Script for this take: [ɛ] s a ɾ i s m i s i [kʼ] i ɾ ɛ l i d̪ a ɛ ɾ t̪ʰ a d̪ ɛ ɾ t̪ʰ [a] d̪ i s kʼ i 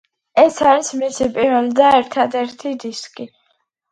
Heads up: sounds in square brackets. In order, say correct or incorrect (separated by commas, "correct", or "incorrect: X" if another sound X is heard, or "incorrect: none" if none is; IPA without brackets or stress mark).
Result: correct, incorrect: pʼ, incorrect: i